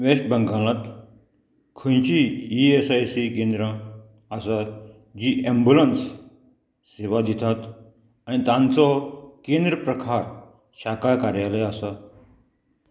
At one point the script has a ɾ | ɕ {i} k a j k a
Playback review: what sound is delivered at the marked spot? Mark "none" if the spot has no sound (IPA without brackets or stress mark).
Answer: a